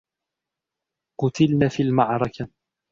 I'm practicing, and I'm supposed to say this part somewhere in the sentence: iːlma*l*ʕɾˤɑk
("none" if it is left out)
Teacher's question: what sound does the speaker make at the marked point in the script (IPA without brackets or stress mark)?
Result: none